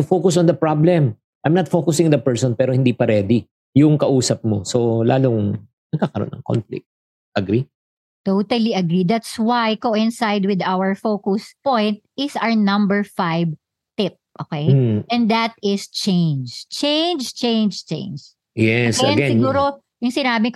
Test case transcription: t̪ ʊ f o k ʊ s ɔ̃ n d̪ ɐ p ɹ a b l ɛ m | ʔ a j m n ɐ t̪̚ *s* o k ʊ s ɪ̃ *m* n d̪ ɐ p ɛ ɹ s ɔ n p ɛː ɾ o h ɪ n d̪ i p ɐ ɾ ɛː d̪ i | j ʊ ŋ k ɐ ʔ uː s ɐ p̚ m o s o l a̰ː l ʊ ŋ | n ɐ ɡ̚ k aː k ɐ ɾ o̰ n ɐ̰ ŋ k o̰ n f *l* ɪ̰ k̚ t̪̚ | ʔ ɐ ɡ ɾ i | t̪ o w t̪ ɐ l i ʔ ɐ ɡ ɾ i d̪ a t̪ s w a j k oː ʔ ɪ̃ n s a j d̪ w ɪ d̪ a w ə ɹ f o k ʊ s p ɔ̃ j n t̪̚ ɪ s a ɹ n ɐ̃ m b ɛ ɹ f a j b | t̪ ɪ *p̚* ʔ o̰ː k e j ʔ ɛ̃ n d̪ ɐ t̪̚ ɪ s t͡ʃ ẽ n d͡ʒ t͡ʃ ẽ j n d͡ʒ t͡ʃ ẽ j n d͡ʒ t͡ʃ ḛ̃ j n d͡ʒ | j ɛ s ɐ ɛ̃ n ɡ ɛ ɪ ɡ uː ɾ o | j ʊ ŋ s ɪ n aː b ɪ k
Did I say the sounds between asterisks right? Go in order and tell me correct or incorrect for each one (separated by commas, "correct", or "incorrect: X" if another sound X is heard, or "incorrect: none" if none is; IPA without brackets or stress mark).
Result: incorrect: f, incorrect: ŋ, correct, correct